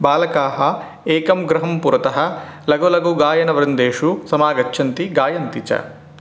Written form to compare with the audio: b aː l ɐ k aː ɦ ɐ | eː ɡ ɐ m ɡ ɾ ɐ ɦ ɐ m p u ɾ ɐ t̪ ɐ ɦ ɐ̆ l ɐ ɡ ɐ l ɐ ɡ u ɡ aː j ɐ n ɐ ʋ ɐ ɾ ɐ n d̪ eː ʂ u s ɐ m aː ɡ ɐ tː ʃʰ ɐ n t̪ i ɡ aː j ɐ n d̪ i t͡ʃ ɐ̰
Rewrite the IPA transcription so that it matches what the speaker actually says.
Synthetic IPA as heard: b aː l ɐ k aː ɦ ɐ | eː k ɐ m ɡ ɾ ɐ ɦ ɐ m p u ɾ ɐ t̪ ɐ ɦ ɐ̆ l ɐ ɡ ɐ l ɐ ɡ u ɡ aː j ɐ n ɐ ʋ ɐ ɾ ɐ n d̪ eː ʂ u s ɐ m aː ɡ ɐ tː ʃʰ ɐ n t̪ i ɡ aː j ɐ n t̪ i t͡ʃ ɐ̰